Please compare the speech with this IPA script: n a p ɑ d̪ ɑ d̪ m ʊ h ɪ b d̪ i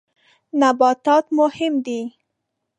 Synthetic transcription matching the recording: n a b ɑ t̪ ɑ t̪ m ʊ h ɪ m d̪ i